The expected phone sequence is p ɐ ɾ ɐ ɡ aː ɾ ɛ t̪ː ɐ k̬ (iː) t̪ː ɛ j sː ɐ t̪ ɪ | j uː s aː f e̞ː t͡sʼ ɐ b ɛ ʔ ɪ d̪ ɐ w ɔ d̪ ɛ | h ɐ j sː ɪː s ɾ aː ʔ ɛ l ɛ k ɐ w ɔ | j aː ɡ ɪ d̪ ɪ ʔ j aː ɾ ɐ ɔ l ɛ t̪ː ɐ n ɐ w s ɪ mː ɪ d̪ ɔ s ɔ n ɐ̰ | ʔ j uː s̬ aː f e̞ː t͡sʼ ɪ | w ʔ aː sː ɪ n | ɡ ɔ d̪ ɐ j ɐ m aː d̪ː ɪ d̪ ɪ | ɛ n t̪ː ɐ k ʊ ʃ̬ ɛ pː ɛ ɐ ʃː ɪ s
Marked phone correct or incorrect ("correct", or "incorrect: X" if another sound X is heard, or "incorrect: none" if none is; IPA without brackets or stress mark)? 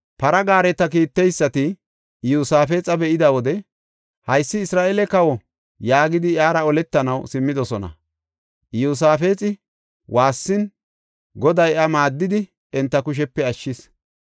correct